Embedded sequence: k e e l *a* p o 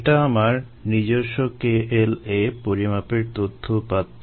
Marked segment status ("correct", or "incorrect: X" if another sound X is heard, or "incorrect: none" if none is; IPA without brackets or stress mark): incorrect: e